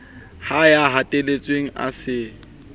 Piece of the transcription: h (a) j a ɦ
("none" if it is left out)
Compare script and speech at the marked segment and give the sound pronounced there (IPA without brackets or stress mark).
a